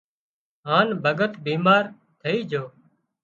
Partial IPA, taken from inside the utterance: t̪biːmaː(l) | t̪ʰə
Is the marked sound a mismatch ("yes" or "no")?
yes